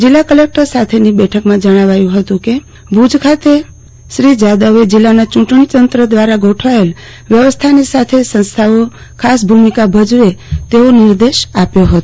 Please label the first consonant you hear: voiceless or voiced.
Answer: voiced